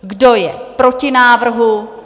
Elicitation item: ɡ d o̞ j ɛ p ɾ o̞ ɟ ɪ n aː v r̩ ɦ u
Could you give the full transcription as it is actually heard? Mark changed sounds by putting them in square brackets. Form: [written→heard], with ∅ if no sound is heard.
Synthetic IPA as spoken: ɡ d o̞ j ɛ p ɾ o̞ [ɟ→c] ɪ n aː v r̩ ɦ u